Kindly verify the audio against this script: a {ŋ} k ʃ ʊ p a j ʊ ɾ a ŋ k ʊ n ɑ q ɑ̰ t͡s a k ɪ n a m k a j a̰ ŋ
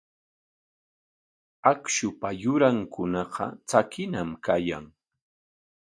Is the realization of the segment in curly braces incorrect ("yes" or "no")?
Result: yes